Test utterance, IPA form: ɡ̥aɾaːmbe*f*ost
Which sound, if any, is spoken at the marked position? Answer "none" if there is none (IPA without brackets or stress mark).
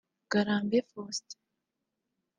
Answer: f